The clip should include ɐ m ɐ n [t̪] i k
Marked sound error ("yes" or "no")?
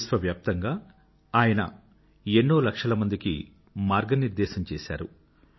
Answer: yes